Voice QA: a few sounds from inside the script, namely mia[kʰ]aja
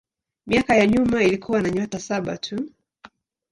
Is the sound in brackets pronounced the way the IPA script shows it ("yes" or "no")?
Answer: no